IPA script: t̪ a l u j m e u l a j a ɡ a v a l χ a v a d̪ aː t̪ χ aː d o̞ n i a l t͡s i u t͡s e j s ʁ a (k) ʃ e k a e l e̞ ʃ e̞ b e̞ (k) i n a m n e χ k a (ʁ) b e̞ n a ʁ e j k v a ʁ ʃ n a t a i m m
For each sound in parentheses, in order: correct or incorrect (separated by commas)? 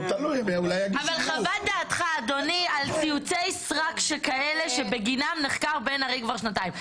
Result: correct, incorrect, correct